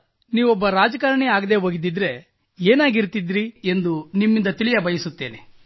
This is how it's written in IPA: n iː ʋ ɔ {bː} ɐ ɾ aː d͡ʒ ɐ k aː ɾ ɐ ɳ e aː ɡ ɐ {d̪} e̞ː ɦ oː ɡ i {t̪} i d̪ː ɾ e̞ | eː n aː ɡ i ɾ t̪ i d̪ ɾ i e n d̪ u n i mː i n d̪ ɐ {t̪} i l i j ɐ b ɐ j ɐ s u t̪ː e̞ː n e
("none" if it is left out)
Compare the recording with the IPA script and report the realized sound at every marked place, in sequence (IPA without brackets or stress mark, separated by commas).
bː, d̪, d̪, t̪